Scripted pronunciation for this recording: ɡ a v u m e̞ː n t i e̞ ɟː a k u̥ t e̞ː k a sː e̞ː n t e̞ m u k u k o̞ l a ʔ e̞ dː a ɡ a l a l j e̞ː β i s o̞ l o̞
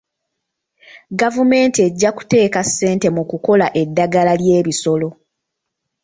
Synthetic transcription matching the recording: ɡ a v u m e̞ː n t i e̞ ɟː a k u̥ t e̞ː k a sː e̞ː n t e̞ m u k u k o̞ l a ʔ e̞ dː a ɡ a l a l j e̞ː β i s o̞ l o̞